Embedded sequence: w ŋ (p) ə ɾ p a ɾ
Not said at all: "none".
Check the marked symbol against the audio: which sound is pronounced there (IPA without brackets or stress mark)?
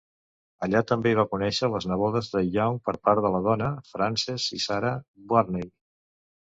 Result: p